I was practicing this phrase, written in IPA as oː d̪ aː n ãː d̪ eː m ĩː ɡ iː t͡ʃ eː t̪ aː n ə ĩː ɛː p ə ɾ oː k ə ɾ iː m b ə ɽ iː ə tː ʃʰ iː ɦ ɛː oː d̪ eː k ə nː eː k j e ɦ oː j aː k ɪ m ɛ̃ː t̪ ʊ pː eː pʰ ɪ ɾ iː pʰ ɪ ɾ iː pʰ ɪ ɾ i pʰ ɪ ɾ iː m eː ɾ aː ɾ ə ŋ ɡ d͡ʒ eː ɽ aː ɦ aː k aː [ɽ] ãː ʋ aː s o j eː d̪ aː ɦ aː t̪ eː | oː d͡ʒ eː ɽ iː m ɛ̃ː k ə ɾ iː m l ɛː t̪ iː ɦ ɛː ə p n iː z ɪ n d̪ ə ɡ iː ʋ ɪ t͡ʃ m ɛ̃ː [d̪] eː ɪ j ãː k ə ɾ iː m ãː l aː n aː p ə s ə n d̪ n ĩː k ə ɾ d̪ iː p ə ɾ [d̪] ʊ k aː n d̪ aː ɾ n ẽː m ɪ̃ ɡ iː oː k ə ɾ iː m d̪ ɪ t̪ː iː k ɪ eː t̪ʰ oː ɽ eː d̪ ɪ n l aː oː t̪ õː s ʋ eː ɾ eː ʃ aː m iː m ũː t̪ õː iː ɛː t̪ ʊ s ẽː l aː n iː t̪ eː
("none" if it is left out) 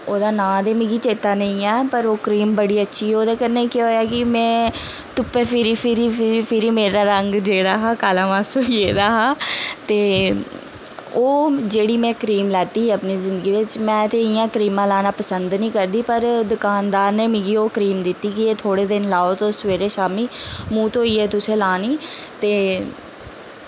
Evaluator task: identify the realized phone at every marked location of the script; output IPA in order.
l, t̪, d̪

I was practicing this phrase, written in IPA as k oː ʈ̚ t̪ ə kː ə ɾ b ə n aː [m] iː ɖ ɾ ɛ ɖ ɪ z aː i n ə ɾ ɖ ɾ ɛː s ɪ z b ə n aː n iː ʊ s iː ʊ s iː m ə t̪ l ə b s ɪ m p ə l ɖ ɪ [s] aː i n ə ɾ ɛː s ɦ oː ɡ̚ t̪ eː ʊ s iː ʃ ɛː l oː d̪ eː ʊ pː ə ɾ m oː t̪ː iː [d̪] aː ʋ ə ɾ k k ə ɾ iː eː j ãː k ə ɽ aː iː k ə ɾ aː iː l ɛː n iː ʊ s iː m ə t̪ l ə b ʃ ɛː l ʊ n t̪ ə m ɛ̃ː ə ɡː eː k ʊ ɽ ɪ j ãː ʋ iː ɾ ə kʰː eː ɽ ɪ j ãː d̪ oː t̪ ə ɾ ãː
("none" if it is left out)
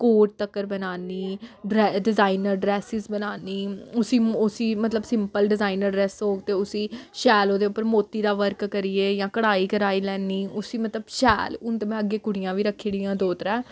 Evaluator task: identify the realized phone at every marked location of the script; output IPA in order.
n, z, d̪

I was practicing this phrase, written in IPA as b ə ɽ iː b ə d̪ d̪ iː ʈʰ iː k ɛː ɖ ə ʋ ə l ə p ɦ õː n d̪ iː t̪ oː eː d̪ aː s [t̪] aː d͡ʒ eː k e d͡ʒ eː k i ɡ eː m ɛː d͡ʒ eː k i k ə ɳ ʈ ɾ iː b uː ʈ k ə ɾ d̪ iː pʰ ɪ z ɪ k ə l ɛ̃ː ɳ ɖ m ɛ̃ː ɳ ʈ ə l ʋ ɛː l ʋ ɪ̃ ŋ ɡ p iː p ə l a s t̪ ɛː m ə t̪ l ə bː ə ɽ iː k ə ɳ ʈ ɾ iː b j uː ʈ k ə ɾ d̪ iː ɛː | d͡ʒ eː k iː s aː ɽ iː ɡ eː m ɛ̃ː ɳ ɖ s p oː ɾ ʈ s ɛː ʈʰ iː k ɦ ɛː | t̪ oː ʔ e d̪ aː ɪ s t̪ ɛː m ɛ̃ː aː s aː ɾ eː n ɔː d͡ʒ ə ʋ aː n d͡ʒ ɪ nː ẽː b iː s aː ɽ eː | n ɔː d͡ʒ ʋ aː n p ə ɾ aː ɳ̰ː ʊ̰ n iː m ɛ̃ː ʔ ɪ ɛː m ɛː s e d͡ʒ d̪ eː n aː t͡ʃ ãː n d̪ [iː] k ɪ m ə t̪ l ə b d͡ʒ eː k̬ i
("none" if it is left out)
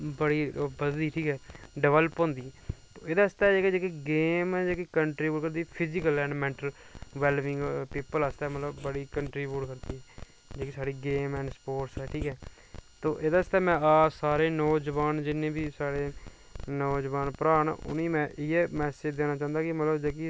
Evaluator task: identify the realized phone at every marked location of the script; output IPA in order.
t̪, aː

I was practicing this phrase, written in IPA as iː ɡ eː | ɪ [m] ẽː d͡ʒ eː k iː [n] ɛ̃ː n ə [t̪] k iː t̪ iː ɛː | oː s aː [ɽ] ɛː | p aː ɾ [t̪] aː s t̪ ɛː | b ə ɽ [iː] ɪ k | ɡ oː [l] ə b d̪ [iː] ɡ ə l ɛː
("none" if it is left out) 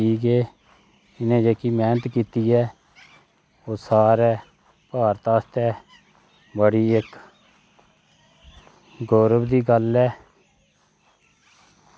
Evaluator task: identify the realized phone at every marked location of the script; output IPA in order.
n, m, t̪, ɾ, t̪, iː, ɾ, iː

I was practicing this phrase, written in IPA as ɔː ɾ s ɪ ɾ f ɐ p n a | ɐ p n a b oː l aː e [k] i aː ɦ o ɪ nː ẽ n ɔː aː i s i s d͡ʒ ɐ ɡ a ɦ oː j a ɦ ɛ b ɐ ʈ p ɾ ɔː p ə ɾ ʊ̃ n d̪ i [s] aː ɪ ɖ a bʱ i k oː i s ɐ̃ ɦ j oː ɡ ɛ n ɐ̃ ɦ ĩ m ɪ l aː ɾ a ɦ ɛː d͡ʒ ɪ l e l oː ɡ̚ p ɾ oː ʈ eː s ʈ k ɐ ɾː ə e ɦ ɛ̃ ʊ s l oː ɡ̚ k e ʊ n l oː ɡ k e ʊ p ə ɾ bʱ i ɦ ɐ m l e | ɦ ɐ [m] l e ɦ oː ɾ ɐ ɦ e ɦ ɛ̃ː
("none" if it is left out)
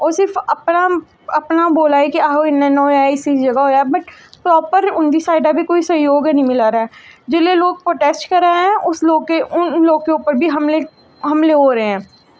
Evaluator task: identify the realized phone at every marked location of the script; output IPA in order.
k, s, m

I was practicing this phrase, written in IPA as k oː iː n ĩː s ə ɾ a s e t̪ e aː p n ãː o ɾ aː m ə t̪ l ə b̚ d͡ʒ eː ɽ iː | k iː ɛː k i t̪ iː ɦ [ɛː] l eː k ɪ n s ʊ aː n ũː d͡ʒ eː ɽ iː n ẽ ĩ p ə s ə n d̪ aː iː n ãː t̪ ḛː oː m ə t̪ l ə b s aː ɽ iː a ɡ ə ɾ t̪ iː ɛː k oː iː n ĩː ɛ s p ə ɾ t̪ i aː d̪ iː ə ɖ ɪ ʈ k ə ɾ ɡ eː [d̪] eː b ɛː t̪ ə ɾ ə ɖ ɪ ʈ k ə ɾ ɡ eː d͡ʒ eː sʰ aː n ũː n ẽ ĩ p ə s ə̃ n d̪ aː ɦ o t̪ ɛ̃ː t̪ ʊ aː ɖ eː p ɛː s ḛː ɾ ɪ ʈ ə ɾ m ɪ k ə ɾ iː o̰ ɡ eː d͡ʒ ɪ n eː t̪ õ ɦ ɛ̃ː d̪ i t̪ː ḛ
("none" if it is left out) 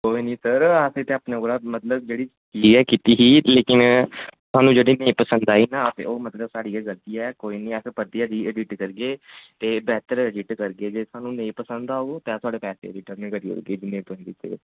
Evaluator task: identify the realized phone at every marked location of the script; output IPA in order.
iː, t̪

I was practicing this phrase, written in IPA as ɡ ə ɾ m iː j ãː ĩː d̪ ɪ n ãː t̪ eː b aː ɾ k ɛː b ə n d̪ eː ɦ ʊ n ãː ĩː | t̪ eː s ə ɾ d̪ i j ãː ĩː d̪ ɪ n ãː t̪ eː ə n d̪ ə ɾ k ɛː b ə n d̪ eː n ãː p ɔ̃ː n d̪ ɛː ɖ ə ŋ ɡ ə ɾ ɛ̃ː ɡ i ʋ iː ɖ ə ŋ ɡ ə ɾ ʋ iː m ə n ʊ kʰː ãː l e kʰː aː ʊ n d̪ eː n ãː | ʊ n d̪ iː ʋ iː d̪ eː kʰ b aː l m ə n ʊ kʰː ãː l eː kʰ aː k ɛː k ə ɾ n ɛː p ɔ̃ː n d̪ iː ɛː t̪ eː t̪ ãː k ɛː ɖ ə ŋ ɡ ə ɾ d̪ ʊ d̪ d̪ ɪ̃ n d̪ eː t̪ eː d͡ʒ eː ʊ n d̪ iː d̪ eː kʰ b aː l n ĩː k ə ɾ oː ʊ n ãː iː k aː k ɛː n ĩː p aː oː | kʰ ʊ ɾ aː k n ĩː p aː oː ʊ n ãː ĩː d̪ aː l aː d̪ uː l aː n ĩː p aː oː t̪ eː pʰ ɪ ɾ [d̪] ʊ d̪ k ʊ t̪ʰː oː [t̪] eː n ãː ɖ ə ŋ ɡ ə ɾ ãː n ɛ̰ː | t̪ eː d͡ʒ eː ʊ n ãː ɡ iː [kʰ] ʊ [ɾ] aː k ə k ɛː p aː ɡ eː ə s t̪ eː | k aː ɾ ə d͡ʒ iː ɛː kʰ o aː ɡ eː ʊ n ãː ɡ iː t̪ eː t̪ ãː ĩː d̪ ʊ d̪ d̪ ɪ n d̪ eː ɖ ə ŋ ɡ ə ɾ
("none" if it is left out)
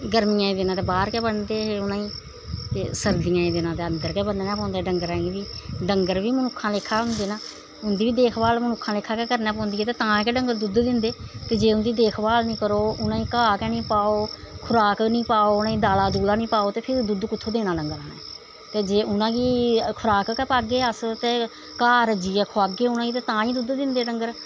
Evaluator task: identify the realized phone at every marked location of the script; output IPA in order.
d̪, d̪, kʰ, ɾ

